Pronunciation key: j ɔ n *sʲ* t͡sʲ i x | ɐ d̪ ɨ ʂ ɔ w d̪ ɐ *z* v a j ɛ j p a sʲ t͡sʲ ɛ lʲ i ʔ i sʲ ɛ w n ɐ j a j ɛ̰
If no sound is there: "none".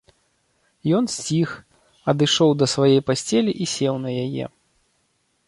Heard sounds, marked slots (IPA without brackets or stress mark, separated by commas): sʲ, s